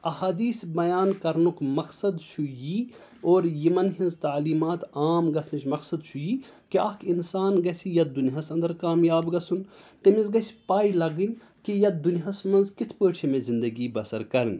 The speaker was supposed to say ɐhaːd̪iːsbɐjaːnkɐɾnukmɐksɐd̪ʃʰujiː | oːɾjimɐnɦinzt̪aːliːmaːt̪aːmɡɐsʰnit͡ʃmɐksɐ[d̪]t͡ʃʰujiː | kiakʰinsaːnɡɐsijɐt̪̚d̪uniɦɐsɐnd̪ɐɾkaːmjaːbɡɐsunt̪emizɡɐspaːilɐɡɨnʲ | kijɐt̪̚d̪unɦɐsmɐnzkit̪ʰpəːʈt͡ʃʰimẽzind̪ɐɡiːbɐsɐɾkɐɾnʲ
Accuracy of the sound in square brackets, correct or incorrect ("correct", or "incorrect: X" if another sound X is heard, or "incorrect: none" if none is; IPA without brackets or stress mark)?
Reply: correct